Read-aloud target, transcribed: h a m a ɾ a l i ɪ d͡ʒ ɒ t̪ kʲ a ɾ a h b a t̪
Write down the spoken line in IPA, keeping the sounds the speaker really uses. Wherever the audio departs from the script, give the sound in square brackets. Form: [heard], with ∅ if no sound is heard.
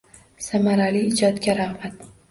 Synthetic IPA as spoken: [s] a m a ɾ a l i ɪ d͡ʒ ɒ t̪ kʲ a ɾ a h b a t̪

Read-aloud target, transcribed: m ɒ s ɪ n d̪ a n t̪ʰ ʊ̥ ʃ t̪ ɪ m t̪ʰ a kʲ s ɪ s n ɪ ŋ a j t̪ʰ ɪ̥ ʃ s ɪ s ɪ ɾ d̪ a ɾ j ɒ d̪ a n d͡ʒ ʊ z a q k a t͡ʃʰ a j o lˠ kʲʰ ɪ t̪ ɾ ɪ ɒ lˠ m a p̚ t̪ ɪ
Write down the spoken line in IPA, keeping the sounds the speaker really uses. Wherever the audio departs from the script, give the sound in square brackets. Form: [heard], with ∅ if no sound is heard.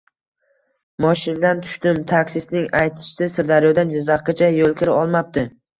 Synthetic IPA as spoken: m ɒ [ʃ] ɪ n d̪ a n t̪ʰ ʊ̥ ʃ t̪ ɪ m t̪ʰ a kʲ s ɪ s n ɪ ŋ a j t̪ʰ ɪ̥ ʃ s ɪ s ɪ ɾ d̪ a ɾ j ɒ d̪ a n d͡ʒ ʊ z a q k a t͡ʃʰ a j o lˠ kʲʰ ɪ [∅] ɾ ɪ ɒ lˠ m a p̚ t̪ ɪ

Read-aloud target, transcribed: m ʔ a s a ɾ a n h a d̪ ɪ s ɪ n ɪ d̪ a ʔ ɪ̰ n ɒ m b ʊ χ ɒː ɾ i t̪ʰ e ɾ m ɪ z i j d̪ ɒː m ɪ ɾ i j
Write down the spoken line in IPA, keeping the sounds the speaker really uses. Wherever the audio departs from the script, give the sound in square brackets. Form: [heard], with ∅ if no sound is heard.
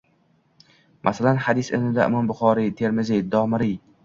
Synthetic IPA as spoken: m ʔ a s a [l] a n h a d̪ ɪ s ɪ n ɪ d̪ a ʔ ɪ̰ [m] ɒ m b ʊ χ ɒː ɾ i t̪ʰ e ɾ m ɪ z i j d̪ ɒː m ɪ ɾ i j

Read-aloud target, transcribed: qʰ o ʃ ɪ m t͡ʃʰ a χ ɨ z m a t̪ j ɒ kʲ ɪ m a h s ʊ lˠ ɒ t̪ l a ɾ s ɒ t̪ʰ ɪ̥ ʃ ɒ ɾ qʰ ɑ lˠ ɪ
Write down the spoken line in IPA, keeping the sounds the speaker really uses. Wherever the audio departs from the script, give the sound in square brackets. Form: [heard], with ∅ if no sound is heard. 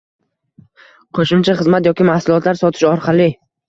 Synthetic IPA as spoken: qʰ o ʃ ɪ m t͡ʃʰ a χ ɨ z m a t̪ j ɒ kʲ ɪ m a h s ʊ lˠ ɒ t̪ l a ɾ s ɒ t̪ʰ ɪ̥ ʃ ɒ ɾ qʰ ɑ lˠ ɪ

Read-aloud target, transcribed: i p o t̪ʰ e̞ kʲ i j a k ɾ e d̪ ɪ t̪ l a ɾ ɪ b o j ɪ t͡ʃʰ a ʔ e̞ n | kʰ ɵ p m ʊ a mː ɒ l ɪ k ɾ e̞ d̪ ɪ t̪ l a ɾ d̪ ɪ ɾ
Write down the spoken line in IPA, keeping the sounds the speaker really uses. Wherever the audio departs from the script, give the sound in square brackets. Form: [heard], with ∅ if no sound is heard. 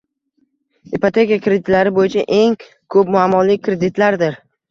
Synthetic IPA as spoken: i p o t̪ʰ e̞ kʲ i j a k ɾ e d̪ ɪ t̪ l a ɾ ɪ b o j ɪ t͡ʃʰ a ʔ e̞ [ŋ] | kʰ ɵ p m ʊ a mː ɒ l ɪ k ɾ e̞ d̪ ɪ t̪ l a ɾ d̪ ɪ ɾ

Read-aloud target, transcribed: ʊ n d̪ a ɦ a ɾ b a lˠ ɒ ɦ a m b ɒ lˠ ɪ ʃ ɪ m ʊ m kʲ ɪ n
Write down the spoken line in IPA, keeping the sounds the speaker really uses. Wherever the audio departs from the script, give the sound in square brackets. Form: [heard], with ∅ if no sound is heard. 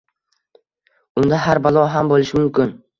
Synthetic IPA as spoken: ʊ n d̪ a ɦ a ɾ b a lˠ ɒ ɦ a m b [o] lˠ ɪ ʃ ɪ m ʊ m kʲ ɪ n

